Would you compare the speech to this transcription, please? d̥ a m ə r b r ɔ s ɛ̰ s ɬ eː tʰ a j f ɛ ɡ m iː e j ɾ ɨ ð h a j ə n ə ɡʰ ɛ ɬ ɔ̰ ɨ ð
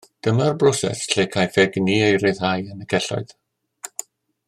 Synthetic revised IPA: d̥ ə m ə r b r ɔ s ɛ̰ s ɬ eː kʰ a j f ɛ ɡ n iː e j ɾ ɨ ð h a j ə n ə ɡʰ ɛ ɬ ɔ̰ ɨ ð